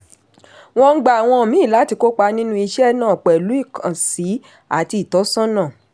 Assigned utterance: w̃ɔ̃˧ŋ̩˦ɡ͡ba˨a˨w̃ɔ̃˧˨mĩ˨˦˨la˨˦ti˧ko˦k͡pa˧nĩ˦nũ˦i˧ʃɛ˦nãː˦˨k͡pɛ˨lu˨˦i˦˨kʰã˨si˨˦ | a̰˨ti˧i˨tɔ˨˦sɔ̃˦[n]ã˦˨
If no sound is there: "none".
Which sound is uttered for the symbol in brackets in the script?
n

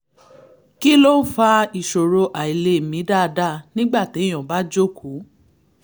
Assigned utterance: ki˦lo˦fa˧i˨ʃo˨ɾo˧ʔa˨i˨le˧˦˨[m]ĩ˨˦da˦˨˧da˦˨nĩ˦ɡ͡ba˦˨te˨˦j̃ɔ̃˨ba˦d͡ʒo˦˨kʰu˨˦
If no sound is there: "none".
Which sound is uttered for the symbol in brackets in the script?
m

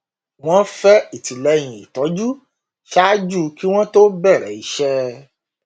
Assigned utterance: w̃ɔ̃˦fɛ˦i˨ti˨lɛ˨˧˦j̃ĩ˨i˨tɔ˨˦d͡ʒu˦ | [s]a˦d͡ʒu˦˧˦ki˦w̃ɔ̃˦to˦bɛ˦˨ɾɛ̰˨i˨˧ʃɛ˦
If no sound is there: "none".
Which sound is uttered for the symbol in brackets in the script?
ʃ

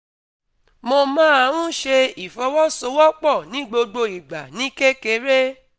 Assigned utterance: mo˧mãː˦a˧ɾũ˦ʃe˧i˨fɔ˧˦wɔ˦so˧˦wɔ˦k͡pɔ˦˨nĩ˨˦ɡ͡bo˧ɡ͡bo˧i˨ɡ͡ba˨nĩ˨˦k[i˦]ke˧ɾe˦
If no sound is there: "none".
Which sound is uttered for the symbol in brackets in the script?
e˦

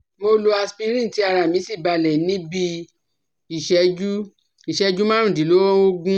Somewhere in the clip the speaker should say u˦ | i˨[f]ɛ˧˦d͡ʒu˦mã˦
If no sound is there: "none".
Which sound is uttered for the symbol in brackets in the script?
ʃ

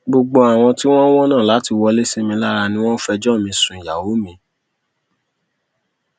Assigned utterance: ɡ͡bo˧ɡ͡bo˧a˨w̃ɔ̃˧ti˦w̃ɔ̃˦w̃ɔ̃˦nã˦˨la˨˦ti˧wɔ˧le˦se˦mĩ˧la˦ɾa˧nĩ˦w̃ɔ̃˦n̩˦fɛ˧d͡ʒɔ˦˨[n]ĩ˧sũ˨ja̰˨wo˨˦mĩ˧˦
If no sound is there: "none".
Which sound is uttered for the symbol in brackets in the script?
m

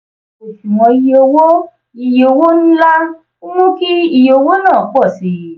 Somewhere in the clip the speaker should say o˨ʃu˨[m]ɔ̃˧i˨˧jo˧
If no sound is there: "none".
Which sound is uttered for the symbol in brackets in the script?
m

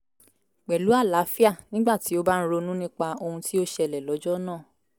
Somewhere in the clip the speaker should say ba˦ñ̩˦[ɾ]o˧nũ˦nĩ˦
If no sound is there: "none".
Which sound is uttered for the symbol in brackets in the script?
ɾ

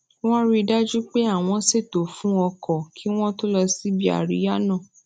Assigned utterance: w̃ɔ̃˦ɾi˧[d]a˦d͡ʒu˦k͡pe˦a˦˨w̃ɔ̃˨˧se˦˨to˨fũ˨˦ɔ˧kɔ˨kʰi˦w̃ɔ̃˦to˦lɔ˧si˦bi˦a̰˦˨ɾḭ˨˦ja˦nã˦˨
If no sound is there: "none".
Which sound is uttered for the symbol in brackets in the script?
d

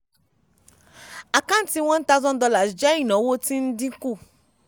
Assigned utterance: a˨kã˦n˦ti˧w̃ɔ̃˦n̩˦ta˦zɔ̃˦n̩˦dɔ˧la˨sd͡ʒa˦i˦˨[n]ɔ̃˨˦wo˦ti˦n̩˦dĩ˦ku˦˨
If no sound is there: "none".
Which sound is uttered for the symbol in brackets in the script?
n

